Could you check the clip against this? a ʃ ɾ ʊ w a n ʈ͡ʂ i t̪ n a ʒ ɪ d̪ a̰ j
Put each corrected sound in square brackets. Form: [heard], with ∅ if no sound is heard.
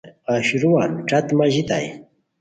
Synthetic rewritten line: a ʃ ɾ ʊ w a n ʈ͡ʂ [a] t̪ [m] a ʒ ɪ [t̪] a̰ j

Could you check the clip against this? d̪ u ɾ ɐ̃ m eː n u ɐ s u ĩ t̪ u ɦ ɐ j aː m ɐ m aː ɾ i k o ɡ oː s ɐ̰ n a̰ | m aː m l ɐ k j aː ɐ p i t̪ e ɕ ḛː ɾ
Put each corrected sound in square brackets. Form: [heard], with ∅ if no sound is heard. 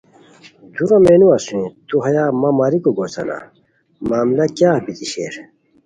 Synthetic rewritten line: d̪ u ɾ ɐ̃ m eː n u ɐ s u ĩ t̪ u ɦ ɐ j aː m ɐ m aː ɾ i k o ɡ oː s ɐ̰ n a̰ | m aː m l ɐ k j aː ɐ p i t̪ [i] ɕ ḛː ɾ

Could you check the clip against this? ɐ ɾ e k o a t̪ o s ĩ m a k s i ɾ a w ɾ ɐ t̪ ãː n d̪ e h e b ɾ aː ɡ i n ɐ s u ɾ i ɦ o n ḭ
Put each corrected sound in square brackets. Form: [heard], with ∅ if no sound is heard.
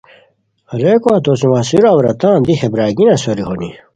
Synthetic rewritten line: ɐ ɾ e k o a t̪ o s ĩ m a [∅] s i ɾ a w ɾ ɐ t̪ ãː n d̪ [i] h e b ɾ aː ɡ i n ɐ s [o] ɾ i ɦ o n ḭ

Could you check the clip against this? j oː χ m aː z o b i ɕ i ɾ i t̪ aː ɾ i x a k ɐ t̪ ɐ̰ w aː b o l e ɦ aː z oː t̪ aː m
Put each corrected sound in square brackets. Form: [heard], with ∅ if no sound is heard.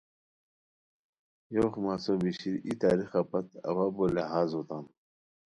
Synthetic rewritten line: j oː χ m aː [s] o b i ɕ i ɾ i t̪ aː ɾ i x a [p] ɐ t̪ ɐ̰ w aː b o l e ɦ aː z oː t̪ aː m

